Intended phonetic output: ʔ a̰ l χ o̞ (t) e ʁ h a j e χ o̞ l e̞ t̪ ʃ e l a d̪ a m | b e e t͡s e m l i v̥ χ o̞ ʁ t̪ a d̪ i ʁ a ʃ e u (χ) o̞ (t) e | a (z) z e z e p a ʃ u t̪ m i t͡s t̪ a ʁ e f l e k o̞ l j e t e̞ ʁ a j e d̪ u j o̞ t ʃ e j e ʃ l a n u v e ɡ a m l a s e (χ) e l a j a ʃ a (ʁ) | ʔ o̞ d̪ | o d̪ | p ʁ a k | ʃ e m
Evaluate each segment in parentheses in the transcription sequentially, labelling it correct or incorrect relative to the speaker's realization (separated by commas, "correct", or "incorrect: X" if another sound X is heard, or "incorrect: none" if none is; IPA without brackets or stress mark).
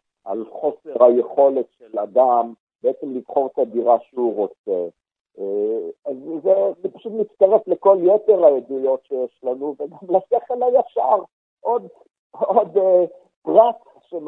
incorrect: s, incorrect: ʁ, incorrect: t͡s, correct, correct, correct